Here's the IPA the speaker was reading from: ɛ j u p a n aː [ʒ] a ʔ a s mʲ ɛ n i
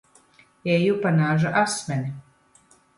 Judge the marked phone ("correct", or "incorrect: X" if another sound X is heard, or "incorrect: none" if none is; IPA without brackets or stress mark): correct